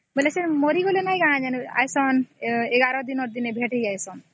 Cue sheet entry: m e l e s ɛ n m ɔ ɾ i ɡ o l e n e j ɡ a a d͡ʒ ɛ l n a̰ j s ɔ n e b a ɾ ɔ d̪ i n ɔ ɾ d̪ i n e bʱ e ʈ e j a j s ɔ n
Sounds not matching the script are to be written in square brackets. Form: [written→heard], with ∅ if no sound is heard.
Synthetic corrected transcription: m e l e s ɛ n m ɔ ɾ i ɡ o l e n [e→a] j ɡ a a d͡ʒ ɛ [l→∅] n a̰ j s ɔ n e [b→ɡ] a ɾ ɔ d̪ i n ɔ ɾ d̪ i n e bʱ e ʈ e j a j s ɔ n